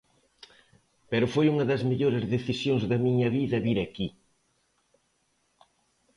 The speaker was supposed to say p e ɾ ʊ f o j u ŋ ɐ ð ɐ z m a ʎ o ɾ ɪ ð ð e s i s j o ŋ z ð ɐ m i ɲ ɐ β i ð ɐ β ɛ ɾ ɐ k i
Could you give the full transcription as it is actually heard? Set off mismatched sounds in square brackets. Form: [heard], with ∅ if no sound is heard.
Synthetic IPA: p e ɾ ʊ f o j u ŋ ɐ ð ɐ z m [e] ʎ o ɾ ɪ [z] ð e [θ] i s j o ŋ z ð ɐ m i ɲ ɐ β i ð ɐ β [i] ɾ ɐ k i